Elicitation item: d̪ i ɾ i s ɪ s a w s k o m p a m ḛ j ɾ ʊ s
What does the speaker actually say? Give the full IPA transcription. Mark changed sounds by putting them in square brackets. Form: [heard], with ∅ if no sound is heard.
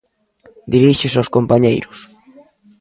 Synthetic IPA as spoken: d̪ i ɾ i [ʃ] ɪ s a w s k o m p a [ɲ] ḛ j ɾ ʊ s